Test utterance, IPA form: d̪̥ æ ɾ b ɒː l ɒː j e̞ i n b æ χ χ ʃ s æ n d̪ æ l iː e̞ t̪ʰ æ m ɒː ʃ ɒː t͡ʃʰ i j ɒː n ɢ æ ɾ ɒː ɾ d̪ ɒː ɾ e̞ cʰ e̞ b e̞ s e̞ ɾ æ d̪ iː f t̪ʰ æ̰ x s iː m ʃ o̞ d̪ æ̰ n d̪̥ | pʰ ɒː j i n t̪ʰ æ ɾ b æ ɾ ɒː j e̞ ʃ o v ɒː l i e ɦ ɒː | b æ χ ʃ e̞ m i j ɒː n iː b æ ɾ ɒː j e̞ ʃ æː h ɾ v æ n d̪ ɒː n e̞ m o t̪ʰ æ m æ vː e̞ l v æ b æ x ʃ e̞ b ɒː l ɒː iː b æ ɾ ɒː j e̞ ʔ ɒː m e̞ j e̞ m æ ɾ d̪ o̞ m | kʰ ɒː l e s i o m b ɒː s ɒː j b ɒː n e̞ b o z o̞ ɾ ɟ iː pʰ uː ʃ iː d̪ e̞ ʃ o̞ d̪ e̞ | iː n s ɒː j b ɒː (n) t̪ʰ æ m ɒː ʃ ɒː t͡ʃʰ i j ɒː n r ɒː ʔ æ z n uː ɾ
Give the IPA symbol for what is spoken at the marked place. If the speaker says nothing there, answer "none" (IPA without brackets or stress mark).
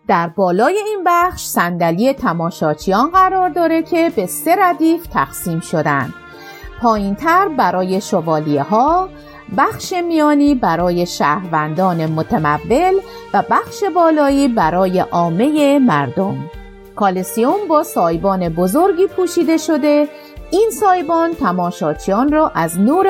n